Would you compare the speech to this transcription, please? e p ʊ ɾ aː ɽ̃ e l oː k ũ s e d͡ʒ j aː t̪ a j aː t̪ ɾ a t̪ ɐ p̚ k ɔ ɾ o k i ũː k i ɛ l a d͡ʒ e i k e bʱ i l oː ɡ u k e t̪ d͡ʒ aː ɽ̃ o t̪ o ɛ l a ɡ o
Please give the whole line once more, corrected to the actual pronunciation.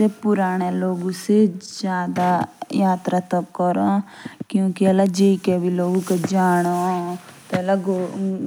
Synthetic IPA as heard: e p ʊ ɾ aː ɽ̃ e l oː ɡ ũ s e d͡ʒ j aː d̪ a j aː t̪ ɾ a t̪ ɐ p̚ k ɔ ɾ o k j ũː k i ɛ l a d͡ʒ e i k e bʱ i l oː ɡ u k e d͡ʒ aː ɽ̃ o t̪ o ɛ l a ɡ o